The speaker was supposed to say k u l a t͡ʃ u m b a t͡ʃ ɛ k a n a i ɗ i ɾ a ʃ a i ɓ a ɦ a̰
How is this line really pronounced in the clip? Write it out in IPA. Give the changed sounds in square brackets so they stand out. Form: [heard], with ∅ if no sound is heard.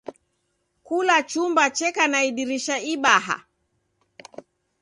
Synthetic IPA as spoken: k u l a t͡ʃ u m b a t͡ʃ ɛ k a n a i ɗ i ɾ [i] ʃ a i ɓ a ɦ a̰